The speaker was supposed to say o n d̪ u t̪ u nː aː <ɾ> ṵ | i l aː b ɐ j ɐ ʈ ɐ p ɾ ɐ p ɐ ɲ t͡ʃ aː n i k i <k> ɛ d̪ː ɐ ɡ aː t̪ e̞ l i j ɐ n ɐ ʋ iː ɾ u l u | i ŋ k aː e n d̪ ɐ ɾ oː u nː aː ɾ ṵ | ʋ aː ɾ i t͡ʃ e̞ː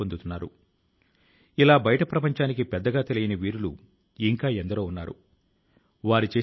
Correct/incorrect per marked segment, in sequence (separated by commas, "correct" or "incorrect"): correct, incorrect